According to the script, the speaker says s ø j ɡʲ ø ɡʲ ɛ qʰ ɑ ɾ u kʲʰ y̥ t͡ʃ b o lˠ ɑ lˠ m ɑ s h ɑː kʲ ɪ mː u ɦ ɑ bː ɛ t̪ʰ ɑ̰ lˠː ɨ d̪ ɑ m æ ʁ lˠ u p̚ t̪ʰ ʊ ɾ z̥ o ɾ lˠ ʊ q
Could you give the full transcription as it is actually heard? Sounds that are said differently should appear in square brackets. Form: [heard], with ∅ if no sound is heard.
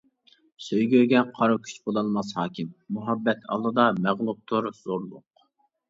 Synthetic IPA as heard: s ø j ɡʲ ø ɡʲ ɛ qʰ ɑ ɾ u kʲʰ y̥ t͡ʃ b o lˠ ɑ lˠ m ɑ s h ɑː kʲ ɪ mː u ɦ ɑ bː ɛ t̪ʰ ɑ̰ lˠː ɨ d̪ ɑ m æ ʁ lˠ u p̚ t̪ʰ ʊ ɾ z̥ o ɾ lˠ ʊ q